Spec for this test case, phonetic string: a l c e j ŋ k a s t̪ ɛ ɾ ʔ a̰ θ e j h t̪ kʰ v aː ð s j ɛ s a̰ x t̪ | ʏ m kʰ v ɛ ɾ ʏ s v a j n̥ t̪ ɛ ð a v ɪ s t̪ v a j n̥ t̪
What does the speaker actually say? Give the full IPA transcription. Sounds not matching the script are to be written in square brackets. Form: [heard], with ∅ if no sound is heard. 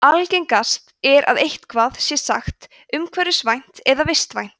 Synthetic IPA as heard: a l c e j ŋ k a s t̪ ɛ ɾ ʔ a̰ [ð] e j h t̪ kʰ v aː ð s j ɛ s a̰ x t̪ | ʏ m kʰ v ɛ ɾ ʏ s v a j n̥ t̪ ɛ ð a v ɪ s t̪ v a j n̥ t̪